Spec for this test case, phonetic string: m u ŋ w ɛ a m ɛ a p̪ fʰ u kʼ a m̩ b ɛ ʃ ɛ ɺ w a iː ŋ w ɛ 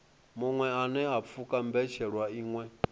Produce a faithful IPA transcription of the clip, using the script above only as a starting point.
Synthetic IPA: m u ŋ w ɛ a n ɛ a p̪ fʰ u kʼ a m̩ b ɛ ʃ ɛ ɺ w a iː ŋ w ɛ